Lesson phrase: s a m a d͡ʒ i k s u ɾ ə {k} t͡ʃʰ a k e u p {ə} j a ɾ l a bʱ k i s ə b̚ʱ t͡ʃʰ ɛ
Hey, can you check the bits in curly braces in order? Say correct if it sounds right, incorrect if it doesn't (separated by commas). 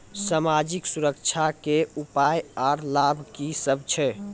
correct, incorrect